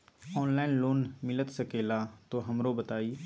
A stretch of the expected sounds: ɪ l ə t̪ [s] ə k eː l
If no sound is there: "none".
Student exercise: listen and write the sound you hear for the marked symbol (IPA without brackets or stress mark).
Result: s